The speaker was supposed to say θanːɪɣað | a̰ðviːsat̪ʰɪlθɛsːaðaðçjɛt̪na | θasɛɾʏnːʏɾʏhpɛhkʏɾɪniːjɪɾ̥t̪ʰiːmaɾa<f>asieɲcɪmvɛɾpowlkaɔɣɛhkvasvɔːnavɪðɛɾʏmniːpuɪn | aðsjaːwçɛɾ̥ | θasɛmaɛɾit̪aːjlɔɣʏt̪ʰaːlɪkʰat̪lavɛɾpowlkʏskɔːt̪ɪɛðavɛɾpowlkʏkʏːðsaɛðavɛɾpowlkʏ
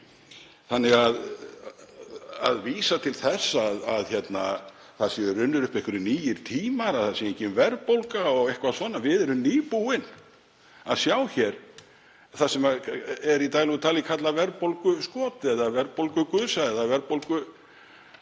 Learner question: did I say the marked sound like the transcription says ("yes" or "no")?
no